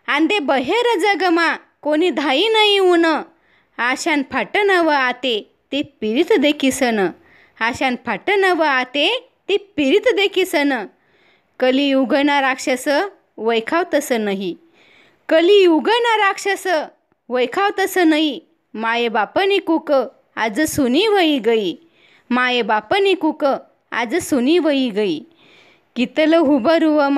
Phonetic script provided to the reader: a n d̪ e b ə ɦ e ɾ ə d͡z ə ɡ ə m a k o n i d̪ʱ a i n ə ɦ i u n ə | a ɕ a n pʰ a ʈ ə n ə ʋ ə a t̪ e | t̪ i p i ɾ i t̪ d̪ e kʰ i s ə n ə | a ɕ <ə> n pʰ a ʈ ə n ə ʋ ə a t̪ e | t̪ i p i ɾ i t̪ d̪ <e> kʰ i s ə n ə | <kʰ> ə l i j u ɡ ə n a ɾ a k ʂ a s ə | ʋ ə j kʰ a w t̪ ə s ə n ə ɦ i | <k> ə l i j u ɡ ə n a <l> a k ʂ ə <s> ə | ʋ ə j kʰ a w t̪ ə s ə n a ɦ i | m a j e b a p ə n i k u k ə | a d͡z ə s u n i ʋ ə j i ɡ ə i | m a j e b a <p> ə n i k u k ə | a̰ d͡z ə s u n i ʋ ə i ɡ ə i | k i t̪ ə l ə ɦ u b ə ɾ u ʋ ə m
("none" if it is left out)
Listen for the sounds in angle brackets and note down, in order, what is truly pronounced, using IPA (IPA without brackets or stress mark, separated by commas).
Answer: a, e, k, k, ɾ, s, p